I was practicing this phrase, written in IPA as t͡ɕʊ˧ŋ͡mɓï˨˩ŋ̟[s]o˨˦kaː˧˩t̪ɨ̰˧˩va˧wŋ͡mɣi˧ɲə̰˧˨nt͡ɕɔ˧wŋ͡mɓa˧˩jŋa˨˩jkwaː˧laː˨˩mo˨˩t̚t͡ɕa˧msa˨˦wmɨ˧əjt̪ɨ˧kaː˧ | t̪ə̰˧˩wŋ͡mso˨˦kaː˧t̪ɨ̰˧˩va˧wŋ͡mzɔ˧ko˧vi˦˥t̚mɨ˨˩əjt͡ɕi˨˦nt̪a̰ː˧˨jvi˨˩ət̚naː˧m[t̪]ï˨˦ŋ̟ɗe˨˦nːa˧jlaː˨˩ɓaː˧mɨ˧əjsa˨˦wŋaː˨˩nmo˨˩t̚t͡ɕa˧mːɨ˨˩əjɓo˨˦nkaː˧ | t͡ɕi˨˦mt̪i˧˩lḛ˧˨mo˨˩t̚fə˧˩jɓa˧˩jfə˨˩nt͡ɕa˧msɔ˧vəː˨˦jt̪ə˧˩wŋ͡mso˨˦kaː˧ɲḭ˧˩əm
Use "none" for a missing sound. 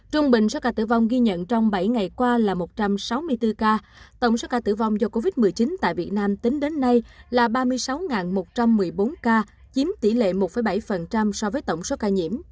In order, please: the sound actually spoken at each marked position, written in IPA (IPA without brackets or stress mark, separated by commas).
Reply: s, t̪